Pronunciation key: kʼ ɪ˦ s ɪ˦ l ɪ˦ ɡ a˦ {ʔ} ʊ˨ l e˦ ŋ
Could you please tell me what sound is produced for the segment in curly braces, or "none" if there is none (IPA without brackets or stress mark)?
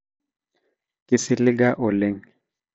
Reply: ʔ